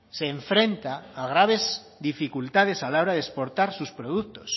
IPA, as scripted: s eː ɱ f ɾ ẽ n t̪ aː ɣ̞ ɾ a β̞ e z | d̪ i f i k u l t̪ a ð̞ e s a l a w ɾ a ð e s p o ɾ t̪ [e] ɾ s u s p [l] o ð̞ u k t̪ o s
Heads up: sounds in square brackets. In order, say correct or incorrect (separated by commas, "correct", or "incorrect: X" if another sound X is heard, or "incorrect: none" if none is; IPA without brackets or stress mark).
incorrect: a, incorrect: ɾ